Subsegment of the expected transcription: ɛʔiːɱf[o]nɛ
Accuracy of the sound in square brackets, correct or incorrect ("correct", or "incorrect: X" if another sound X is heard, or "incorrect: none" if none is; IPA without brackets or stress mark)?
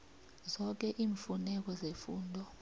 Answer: incorrect: u